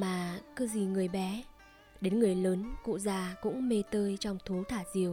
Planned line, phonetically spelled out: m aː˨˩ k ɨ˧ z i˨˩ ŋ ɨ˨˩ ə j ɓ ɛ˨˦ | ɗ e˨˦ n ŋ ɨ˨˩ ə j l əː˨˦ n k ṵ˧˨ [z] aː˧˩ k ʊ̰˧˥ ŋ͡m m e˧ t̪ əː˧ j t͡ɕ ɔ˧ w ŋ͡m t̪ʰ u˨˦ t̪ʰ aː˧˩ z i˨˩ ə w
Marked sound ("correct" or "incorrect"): correct